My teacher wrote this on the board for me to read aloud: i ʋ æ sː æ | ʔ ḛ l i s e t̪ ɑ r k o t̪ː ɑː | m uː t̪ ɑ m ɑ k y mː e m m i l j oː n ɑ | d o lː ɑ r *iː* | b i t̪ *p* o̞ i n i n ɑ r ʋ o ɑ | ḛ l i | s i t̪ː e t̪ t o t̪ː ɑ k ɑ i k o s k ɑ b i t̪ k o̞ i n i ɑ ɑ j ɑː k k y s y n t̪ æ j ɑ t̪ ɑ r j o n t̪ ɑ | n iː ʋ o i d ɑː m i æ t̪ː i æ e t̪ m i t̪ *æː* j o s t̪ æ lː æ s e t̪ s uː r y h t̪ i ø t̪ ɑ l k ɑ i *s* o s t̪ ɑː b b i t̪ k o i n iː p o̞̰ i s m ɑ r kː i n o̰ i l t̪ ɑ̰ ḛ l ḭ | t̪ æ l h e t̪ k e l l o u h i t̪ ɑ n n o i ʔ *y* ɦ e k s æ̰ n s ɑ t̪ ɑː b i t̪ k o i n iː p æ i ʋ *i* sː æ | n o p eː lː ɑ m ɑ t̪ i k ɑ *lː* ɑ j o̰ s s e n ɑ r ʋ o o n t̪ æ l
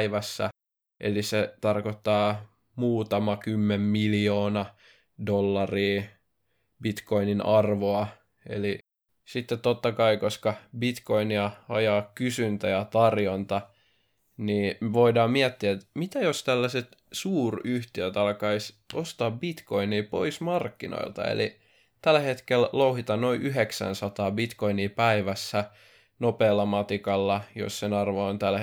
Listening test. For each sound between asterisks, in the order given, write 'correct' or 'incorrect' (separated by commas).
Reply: correct, incorrect, incorrect, correct, correct, incorrect, correct